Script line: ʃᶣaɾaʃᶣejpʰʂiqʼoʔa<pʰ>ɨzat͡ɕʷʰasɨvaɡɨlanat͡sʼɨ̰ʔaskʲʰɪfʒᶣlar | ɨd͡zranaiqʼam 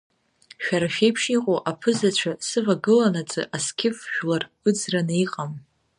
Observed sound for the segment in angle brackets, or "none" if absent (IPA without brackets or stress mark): pʰ